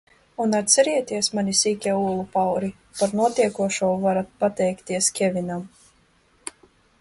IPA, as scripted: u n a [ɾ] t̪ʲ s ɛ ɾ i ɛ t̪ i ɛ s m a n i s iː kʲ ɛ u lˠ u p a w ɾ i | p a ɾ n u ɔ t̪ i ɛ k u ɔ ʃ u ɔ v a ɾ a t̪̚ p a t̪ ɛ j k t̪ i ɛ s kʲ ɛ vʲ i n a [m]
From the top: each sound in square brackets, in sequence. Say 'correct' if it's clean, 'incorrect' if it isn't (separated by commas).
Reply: incorrect, correct